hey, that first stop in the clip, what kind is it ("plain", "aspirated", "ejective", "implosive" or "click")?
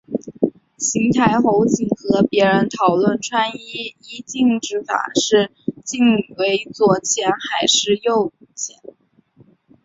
aspirated